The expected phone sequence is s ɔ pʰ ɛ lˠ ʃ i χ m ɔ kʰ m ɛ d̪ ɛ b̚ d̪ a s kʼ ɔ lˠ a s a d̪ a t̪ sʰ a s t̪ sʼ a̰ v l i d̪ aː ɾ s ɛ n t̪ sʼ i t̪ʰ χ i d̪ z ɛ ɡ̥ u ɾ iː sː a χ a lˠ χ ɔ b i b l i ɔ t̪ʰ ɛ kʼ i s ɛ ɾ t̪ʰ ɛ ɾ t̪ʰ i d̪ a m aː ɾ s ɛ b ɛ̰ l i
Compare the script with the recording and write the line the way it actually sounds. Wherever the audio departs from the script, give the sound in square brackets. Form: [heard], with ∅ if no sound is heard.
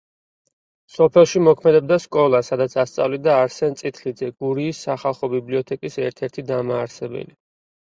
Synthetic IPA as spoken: s ɔ pʰ ɛ lˠ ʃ i [∅] m ɔ kʰ m ɛ d̪ ɛ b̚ d̪ a s kʼ ɔ lˠ a s a d̪ a t̪ sʰ a s t̪ sʼ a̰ v l i d̪ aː ɾ s ɛ n t̪ sʼ i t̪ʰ χ i d̪ z ɛ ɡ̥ u ɾ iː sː a χ a lˠ χ ɔ b i b l i ɔ t̪ʰ ɛ kʼ i s ɛ ɾ t̪ʰ ɛ ɾ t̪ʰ i d̪ a m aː ɾ s ɛ b ɛ̰ l i